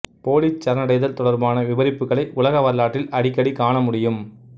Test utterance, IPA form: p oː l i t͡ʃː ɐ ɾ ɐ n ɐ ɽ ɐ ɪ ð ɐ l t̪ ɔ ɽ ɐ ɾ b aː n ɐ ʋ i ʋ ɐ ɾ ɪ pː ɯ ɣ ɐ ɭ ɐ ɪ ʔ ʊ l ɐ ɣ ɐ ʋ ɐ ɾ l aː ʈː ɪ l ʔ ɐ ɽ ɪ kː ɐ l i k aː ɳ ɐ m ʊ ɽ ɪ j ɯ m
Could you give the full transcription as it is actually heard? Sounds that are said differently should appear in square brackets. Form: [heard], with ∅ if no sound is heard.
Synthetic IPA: p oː l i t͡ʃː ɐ ɾ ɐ n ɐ ɽ ɐ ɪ ð ɐ l t̪ ɔ ɽ ɐ ɾ b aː n ɐ ʋ [ɪ] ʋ ɐ ɾ ɪ pː ɯ ɣ ɐ ɭ ɐ ɪ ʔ ʊ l ɐ ɣ ɐ ʋ ɐ ɾ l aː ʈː ɪ l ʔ ɐ ɽ ɪ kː ɐ [ɽ] i k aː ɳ ɐ m ʊ ɽ ɪ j ɯ m